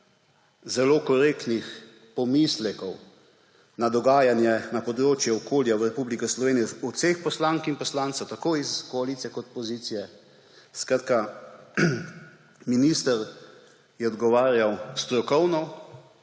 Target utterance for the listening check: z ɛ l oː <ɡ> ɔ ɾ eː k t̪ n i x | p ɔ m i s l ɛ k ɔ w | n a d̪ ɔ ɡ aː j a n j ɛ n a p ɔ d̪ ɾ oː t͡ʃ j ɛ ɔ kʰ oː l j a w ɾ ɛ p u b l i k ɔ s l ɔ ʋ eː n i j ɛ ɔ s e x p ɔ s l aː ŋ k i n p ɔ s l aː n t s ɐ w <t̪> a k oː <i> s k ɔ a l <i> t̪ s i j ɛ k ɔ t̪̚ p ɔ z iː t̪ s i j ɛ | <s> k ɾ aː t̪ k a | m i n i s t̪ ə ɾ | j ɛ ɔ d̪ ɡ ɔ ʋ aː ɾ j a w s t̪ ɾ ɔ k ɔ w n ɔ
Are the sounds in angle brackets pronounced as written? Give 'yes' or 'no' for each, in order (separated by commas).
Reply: no, yes, yes, yes, yes